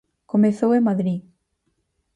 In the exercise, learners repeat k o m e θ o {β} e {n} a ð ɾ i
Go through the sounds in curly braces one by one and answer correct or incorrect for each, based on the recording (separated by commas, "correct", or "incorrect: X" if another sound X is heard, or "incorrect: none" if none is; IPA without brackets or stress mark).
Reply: incorrect: w, incorrect: m